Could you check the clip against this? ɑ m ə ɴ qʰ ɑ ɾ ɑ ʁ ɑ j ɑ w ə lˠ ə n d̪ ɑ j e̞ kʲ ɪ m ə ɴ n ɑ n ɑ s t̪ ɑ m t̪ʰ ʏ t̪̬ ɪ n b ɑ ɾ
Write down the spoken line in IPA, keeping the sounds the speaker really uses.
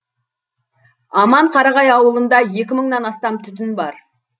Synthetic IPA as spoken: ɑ m ɑ ɴ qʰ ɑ ɾ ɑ ʁ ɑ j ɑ w ə lˠ ə n d̪ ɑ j e̞ kʲ ɪ m ə ɴ n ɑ n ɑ s t̪ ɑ m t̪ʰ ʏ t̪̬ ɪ n b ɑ ɾ